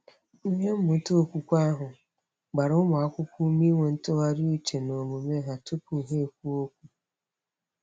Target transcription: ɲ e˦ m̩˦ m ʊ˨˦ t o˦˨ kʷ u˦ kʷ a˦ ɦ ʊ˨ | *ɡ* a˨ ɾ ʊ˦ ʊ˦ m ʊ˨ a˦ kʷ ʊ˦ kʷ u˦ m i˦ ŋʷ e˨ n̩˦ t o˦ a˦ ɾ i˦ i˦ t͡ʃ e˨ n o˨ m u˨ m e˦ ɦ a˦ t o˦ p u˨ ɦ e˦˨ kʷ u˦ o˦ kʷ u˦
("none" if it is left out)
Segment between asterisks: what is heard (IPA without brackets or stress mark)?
ɡ͡b